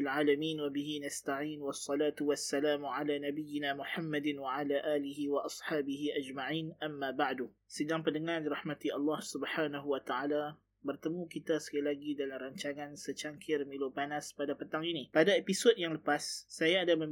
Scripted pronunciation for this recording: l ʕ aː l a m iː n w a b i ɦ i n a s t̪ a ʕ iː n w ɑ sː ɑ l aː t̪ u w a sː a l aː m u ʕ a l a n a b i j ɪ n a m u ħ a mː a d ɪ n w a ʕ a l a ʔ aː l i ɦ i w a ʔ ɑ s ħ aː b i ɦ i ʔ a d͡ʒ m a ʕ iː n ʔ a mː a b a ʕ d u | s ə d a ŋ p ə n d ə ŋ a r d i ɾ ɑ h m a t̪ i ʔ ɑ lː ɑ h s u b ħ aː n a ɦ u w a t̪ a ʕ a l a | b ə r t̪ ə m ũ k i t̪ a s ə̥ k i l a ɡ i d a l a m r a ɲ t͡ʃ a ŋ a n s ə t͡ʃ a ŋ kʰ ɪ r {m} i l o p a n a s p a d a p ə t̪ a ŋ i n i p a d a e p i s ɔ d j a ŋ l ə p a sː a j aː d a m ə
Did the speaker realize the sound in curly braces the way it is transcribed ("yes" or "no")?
yes